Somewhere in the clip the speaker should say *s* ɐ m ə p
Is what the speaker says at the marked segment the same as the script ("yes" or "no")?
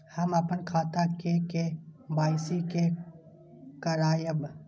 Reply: no